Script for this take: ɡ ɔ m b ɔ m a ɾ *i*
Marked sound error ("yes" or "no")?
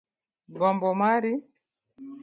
no